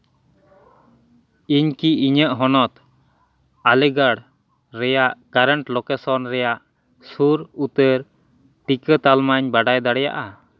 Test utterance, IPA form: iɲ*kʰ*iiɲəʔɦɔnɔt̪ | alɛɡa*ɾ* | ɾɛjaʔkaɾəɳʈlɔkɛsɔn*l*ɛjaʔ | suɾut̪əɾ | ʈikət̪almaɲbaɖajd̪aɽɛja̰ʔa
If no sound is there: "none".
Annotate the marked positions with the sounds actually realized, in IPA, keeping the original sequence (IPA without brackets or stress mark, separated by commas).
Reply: k, ɽ, ɾ